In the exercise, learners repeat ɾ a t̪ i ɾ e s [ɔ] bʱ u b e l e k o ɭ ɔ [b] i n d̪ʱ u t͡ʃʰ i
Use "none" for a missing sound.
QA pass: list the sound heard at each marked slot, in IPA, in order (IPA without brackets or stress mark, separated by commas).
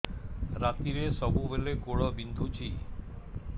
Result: ɔ, b